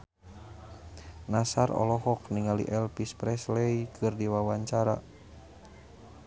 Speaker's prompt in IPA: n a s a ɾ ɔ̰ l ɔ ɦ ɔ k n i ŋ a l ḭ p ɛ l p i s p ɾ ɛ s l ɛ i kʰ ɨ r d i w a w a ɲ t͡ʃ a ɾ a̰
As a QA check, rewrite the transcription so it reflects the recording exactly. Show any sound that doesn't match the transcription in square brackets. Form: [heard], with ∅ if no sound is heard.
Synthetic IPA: n a s a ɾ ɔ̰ l ɔ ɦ ɔ k n i ŋ a l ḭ [ʔ] ɛ l p i s p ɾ ɛ s l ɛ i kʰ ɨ r d i w a w a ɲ t͡ʃ a ɾ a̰

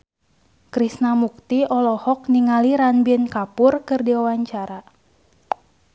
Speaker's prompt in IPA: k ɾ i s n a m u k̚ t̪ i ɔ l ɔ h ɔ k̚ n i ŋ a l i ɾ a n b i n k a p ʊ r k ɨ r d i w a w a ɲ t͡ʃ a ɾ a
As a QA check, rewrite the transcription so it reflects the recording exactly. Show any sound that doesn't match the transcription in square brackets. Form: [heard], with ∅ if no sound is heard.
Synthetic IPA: k ɾ i s n a m u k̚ t̪ i ɔ l ɔ h ɔ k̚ n i ŋ a l i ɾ a n b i n k a p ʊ r k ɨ r d i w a w a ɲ t͡ʃ a ɾ a

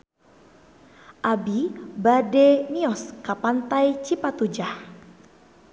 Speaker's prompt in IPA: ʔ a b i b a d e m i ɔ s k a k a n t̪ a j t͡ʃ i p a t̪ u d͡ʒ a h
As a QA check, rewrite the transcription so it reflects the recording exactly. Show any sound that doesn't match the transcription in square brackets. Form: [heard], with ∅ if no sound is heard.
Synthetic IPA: ʔ a b i b a d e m i ɔ s k a [p] a n t̪ a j t͡ʃ i p a t̪ u d͡ʒ a h

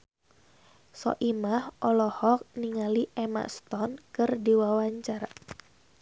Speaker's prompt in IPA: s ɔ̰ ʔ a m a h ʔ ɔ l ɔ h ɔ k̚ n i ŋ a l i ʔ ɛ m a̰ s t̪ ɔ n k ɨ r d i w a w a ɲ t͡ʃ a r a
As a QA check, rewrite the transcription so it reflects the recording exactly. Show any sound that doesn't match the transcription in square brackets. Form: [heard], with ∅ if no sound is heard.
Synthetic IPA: s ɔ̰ ʔ [i] m a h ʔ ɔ l ɔ h ɔ k̚ n i ŋ a l i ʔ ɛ m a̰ s t̪ ɔ n k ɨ r d i w a w a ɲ t͡ʃ a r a

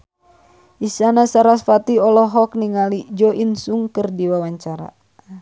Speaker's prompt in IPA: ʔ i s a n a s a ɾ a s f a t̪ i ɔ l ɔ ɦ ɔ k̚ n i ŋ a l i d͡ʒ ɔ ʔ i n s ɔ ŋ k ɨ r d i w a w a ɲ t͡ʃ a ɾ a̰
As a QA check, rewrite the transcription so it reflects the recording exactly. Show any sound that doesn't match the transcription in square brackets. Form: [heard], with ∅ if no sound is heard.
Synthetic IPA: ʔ i s a n a s a ɾ a s f a t̪ i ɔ l ɔ ɦ ɔ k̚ n i ŋ a l i d͡ʒ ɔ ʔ i n s [u] ŋ k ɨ r d i w a w a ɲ t͡ʃ a ɾ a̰

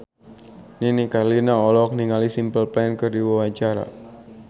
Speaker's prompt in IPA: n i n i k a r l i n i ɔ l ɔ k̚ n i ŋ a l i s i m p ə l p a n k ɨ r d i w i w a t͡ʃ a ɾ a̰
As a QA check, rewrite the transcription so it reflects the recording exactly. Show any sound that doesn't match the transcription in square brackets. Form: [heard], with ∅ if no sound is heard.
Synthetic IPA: n i n i k a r l i n [a] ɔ l ɔ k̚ n i ŋ a l i s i m p ə l p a n k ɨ r d i w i w a t͡ʃ a ɾ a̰

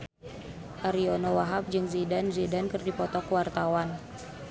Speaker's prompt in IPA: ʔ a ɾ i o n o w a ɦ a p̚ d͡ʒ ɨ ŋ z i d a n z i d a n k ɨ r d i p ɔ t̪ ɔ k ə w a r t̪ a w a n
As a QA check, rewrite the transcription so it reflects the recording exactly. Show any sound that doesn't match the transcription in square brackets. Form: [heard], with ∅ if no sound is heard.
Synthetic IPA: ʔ a ɾ i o n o w a ɦ a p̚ d͡ʒ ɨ ŋ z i d a n z i d a n k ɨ r d i p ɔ t̪ ɔ k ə w a r t̪ a w a n

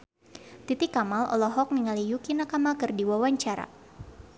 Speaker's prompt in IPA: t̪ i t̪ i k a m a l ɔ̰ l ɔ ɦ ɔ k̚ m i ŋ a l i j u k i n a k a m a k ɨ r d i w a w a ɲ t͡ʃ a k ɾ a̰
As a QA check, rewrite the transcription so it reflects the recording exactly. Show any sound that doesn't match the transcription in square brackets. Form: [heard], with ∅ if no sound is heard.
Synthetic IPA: t̪ i t̪ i k a m a l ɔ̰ l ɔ ɦ ɔ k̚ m i ŋ a l i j u k i n a k a m a k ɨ r d i w a w a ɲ t͡ʃ a [∅] ɾ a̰

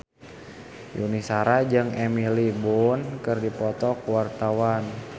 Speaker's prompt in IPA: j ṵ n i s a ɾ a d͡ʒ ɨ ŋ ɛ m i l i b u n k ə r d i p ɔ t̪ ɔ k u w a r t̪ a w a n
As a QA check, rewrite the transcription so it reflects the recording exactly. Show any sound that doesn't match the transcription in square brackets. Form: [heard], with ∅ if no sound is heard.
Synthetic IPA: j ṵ n i s a ɾ a d͡ʒ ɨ ŋ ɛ m i l i b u n k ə r d i p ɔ t̪ ɔ k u w a r t̪ a w a n

